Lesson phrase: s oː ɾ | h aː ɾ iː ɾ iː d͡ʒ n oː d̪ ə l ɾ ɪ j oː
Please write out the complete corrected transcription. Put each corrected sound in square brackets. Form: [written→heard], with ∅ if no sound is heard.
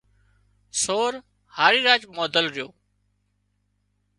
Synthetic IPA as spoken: s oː ɾ | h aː ɾ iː ɾ [iː→aː] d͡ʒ [n→m] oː d̪ ə l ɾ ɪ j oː